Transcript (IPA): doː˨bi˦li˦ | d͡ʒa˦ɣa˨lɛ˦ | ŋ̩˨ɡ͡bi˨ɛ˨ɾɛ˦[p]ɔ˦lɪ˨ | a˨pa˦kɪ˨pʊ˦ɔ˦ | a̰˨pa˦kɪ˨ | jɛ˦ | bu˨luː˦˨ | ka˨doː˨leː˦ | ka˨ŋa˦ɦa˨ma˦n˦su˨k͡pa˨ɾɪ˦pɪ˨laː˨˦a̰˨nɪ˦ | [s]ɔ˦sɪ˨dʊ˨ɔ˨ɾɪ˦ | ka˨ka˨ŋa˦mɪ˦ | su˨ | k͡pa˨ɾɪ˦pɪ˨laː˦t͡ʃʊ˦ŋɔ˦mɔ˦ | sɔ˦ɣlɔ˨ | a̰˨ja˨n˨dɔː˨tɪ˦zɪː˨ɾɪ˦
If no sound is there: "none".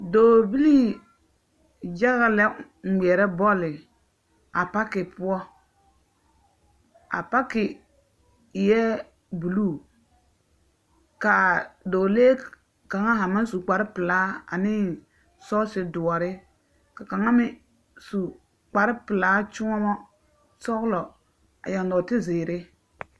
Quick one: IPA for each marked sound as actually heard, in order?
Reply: b, s

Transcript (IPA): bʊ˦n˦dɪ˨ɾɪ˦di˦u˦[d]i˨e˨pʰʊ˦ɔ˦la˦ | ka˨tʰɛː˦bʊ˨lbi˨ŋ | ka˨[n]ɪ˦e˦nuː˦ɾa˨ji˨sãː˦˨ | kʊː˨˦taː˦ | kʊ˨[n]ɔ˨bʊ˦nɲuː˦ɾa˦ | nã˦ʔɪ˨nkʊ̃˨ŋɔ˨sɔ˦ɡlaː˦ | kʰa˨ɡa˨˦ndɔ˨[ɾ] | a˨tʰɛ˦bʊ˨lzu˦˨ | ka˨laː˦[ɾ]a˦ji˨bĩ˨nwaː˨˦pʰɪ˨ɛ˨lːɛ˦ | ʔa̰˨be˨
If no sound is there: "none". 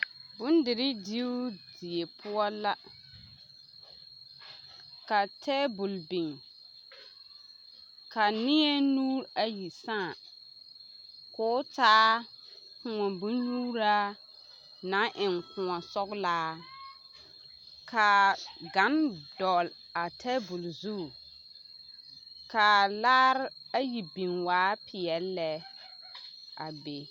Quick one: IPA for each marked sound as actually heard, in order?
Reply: d, n, ŋ, l, ɾ

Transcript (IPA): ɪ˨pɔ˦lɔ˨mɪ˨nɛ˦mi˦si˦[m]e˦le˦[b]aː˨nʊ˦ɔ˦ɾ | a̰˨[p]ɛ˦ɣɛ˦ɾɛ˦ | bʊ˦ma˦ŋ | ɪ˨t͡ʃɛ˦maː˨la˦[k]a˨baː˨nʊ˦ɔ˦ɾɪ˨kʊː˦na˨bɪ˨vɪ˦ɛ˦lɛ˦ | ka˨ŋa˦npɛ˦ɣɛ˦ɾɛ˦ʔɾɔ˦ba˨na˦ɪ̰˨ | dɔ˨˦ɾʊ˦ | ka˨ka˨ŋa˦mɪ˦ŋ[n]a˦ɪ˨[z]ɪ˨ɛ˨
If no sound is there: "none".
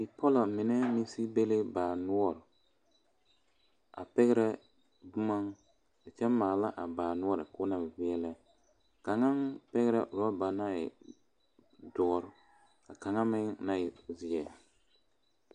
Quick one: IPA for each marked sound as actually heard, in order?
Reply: b, b, p, ʔ, n, z

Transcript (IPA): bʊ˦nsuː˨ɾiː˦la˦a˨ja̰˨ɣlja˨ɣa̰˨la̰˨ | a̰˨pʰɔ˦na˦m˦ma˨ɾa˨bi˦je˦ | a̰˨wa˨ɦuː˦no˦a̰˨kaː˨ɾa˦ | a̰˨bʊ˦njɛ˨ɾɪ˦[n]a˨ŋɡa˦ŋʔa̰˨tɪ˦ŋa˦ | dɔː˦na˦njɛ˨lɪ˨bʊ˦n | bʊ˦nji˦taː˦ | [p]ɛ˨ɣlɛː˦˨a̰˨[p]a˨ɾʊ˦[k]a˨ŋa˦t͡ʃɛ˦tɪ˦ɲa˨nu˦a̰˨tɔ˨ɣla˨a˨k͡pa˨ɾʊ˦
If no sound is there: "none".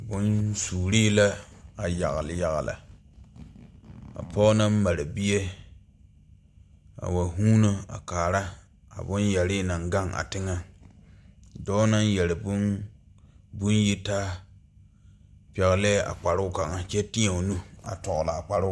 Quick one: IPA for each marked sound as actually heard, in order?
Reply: n, p, k͡p, k

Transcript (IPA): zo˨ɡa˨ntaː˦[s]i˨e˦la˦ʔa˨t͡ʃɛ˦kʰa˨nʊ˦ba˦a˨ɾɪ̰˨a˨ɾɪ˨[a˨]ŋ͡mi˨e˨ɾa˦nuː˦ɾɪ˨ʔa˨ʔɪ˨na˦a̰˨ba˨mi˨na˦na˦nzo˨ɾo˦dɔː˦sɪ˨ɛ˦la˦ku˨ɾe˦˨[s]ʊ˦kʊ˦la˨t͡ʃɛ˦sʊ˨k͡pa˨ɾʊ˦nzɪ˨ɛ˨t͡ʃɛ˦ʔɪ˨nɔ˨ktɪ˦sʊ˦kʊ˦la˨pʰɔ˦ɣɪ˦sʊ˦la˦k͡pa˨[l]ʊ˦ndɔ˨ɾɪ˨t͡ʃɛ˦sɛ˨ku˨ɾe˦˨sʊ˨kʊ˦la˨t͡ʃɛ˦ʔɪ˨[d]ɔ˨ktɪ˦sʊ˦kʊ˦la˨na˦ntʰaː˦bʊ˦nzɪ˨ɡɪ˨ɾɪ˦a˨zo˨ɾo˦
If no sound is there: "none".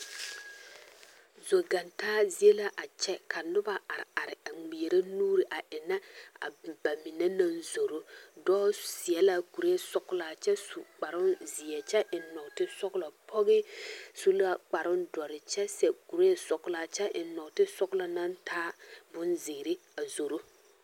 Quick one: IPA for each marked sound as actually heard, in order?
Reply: z, a˨, s, ɾ, n

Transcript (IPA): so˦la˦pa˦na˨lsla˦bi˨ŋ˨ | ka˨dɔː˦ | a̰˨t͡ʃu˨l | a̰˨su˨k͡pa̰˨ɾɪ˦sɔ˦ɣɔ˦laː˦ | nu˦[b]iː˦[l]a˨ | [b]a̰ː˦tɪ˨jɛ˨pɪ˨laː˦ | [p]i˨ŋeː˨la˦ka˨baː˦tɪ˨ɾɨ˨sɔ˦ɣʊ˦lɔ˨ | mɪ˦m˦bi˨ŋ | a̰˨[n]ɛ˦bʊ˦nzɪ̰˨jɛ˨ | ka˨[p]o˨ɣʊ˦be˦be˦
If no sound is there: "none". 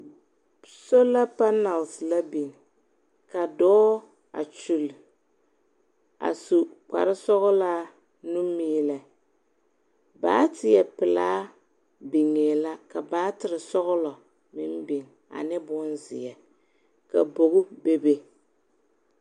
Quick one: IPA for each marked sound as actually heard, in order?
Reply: m, l, b, b, n, b

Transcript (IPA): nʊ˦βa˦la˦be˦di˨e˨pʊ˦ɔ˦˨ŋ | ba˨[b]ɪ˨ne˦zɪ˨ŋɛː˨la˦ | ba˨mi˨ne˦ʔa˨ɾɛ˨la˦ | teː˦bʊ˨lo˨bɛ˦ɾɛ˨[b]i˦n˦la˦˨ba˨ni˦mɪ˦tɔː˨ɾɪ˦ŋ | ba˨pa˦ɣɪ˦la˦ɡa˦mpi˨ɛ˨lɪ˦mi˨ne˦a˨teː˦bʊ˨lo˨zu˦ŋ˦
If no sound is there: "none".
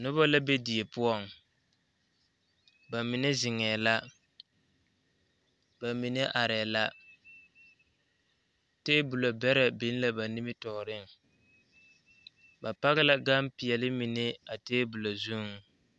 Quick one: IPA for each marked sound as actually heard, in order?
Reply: m, b

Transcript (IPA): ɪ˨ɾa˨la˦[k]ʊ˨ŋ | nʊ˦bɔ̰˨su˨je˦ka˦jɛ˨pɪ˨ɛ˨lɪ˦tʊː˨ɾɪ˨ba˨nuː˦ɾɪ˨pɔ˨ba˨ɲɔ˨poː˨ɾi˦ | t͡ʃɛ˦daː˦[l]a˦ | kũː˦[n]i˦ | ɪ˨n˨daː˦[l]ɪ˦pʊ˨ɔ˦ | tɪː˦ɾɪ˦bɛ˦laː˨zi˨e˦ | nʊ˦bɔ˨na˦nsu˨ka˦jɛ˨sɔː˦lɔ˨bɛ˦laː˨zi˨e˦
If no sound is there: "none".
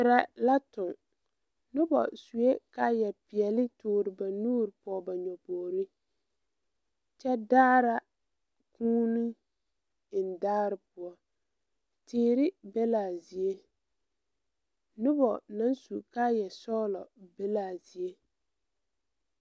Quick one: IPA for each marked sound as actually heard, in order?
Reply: t, ɾ, n, ɾ

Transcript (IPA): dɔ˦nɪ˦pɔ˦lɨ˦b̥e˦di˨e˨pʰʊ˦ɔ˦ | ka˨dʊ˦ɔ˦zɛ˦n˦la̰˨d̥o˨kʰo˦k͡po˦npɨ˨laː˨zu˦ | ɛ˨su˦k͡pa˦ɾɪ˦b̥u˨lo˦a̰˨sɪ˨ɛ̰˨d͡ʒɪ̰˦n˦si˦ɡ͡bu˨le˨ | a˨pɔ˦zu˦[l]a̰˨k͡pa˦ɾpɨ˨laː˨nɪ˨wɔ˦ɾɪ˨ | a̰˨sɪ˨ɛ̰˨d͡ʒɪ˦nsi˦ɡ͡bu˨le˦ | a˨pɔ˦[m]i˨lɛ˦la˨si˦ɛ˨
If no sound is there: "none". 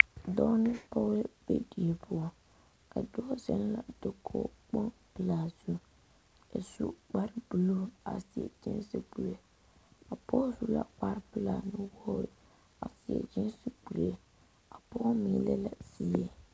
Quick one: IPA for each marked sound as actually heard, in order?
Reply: l, m

